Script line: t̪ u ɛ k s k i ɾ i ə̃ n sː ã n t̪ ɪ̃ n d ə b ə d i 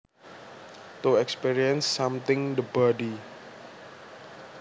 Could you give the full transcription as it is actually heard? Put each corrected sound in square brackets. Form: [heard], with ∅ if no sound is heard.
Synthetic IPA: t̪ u ɛ k s [p] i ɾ i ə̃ n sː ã [m] t̪ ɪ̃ [ŋ] d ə b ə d i